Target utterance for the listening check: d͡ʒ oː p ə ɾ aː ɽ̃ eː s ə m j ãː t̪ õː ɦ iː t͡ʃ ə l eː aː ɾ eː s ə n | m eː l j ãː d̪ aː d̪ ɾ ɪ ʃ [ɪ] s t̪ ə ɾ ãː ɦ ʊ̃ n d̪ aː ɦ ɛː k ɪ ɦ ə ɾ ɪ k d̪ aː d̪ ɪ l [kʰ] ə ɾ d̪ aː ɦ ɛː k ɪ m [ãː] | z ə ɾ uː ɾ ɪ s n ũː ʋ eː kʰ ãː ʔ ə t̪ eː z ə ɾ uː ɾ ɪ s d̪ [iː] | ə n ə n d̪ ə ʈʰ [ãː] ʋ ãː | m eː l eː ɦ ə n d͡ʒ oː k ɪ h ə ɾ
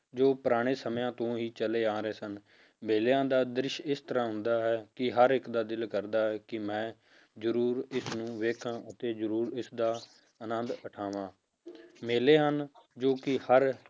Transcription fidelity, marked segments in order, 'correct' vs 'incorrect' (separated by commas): correct, incorrect, incorrect, incorrect, incorrect